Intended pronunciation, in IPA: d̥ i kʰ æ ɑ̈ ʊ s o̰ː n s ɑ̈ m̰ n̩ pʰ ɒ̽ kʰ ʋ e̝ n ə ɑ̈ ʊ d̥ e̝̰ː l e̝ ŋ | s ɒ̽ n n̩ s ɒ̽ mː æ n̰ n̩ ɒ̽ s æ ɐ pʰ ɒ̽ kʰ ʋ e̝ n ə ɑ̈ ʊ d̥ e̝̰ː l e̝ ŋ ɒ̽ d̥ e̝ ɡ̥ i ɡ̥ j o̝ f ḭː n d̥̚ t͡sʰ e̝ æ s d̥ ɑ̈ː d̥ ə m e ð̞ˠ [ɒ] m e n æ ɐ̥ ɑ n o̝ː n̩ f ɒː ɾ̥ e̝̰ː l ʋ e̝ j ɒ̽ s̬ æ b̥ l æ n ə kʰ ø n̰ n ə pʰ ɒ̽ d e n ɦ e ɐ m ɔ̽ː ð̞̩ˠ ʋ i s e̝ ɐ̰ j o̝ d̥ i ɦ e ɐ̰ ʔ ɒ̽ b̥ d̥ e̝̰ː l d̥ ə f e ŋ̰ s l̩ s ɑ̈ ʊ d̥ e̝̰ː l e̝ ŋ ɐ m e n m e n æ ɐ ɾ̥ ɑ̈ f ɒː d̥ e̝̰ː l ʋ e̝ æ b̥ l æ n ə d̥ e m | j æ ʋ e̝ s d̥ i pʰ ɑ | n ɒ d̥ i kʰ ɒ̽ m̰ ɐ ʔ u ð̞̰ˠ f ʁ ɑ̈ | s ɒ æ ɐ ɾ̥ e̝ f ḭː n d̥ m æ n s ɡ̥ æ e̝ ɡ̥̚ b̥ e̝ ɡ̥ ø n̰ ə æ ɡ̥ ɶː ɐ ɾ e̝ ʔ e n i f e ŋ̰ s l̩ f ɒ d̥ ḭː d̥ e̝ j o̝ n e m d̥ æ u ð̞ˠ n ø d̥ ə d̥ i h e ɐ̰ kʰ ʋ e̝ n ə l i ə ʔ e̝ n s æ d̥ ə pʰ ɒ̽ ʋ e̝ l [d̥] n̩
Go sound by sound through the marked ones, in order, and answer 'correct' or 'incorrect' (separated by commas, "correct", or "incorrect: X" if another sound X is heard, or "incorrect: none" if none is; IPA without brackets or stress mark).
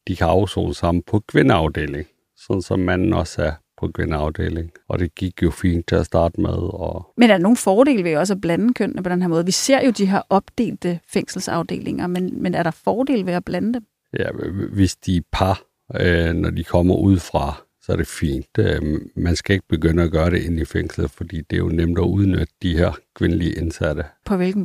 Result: correct, incorrect: ɡ̥